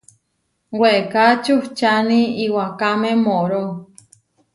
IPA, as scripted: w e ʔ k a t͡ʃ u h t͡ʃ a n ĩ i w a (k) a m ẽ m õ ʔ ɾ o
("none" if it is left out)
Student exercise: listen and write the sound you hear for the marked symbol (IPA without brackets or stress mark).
k